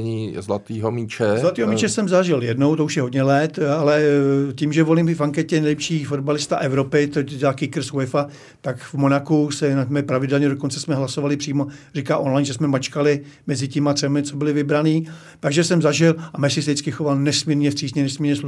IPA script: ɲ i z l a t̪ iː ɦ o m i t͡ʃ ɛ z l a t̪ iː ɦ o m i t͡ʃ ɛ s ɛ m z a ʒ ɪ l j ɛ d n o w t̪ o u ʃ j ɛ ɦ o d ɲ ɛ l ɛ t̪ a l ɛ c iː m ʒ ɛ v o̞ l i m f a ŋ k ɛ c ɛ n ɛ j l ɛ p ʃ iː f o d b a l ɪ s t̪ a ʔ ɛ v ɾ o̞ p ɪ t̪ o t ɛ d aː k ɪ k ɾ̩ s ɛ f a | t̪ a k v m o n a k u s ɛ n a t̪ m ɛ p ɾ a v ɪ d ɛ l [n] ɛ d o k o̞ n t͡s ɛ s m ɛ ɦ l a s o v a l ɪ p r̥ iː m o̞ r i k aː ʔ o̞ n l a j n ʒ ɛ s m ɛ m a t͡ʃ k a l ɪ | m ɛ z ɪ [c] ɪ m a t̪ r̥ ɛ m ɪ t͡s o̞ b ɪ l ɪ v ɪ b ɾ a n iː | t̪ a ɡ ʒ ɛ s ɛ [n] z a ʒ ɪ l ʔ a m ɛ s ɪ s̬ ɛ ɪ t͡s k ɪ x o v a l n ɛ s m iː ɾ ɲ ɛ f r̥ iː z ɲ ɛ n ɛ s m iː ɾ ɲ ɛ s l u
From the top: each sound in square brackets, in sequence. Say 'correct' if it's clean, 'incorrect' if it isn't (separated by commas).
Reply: incorrect, correct, incorrect